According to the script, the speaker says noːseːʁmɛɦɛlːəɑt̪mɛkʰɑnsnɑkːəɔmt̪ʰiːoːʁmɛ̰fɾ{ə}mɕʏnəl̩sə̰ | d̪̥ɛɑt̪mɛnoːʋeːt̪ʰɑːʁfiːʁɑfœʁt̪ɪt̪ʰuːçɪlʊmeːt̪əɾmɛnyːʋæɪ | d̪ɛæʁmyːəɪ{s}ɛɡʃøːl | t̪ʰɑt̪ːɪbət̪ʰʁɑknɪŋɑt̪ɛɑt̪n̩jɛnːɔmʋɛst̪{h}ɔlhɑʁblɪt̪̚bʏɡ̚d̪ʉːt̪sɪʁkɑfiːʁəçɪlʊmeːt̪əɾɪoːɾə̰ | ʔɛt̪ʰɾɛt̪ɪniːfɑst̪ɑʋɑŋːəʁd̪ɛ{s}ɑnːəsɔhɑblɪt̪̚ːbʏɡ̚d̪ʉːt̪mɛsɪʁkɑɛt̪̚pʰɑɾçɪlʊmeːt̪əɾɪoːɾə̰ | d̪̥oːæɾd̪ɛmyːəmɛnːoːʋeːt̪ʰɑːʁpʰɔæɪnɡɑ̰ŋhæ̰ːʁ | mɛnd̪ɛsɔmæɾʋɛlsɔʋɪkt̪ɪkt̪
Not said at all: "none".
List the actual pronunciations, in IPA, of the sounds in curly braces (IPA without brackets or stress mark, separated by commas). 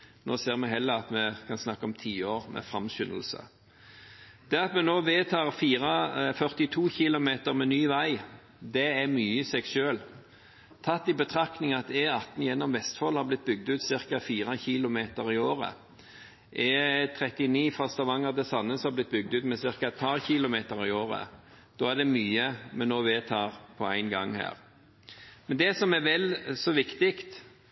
ɑ, s, f, s